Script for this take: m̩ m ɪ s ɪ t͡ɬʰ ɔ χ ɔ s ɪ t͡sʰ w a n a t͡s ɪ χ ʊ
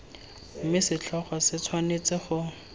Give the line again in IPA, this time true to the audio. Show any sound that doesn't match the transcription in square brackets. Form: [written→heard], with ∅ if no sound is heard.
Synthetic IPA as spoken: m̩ m ɪ s ɪ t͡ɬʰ ɔ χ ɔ s ɪ t͡sʰ w a n [a→e] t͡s ɪ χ ʊ

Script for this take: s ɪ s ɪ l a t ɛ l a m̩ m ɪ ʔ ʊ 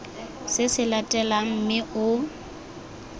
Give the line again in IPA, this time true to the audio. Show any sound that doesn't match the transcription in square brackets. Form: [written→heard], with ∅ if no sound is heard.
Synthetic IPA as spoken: s ɪ s ɪ l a [t→tʼ] ɛ l a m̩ m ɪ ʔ ʊ

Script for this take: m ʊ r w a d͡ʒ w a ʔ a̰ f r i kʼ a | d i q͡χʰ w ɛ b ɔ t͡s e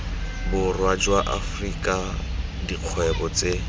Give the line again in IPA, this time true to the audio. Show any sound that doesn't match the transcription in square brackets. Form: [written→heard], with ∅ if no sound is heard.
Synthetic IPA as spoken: [m→b] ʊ r w a d͡ʒ w a ʔ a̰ f r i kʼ a | d i q͡χʰ w ɛ b ɔ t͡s e

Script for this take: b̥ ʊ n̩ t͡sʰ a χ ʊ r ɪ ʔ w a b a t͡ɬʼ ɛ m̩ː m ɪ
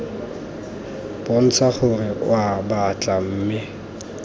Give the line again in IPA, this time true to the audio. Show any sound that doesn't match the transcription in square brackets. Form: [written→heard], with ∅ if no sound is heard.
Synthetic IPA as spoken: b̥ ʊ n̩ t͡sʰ a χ ʊ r ɪ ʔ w a b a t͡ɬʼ [ɛ→a] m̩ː m ɪ

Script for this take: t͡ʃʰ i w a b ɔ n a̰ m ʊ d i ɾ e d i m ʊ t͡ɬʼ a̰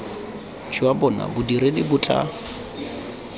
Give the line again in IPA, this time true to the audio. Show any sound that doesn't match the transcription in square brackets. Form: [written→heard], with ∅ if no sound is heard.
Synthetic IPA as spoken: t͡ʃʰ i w a b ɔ n a̰ [m→b] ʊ d i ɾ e d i [m→b] ʊ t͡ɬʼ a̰

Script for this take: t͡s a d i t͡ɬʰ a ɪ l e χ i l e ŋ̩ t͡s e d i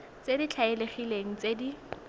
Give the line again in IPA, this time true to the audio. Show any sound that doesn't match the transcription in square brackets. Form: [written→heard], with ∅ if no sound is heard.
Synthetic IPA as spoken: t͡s [a→e] d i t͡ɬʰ a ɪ l e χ i l e ŋ̩ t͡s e d i

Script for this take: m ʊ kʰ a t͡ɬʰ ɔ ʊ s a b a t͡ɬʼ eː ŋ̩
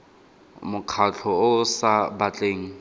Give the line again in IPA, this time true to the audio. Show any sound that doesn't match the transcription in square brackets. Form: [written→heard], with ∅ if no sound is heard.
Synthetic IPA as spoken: m ʊ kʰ a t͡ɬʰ ɔ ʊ s a b a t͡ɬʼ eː ŋ̩

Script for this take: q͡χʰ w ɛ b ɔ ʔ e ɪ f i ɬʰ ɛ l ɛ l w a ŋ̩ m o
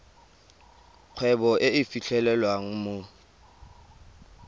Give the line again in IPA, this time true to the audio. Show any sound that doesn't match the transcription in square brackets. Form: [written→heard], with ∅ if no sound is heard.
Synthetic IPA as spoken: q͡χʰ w ɛ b ɔ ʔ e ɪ f i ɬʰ ɛ l ɛ l w a ŋ̩ m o

